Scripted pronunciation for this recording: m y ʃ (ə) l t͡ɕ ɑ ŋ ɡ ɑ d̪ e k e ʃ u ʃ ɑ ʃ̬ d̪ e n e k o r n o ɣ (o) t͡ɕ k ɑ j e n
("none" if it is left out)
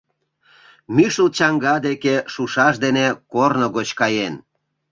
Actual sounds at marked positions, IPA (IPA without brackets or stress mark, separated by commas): ə, o